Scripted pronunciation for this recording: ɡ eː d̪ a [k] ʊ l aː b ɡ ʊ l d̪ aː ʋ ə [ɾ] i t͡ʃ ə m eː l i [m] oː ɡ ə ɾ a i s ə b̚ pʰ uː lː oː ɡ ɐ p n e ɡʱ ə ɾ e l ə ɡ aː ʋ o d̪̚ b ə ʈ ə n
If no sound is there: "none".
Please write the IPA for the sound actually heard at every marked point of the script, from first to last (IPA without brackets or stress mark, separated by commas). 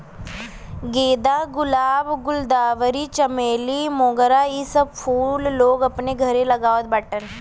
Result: ɡ, ɾ, m